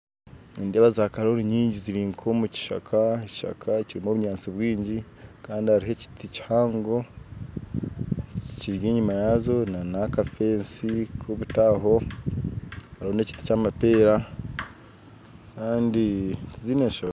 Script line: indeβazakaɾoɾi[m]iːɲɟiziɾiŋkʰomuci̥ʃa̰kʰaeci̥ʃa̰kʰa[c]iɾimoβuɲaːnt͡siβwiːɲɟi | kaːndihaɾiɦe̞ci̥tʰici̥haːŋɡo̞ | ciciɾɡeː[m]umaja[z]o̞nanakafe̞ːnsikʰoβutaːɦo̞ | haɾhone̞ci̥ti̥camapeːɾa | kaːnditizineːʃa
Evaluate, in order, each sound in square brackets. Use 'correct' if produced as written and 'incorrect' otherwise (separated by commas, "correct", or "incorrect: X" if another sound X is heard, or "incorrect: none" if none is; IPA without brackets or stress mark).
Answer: incorrect: ɲ, correct, incorrect: ɲ, correct